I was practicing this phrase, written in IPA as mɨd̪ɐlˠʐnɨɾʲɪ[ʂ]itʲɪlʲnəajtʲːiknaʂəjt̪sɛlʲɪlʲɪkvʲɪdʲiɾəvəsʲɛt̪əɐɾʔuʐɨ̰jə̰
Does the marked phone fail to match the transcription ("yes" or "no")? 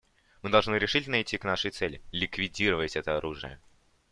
no